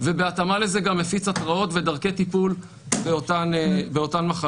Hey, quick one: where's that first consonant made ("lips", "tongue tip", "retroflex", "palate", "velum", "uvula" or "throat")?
lips